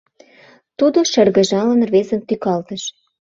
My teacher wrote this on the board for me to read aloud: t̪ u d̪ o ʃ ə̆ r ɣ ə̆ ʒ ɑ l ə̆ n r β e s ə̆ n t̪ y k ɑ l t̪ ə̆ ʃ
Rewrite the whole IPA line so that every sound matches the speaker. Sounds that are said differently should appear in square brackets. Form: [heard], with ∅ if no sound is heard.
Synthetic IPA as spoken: t̪ u d̪ o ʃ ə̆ r ɣ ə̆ ʒ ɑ l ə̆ n r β e [z] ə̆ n t̪ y k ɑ l t̪ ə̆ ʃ